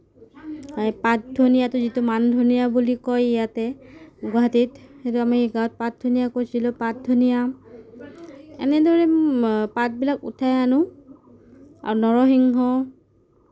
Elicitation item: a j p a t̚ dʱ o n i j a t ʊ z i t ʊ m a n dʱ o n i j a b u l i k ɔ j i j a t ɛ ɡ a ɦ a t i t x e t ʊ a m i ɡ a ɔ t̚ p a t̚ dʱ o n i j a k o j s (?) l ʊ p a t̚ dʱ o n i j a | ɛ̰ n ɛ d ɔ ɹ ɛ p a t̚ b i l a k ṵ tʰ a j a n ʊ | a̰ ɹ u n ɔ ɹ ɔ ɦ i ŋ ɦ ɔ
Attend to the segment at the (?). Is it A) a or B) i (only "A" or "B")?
B